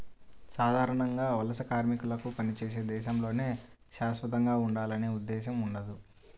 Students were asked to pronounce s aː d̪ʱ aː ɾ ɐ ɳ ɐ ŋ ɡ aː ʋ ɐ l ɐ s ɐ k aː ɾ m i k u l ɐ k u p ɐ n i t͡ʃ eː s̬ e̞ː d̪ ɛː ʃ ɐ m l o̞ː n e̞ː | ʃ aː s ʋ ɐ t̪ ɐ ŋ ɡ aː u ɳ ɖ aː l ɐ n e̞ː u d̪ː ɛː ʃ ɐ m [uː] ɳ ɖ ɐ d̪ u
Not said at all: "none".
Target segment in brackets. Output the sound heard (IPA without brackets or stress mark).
u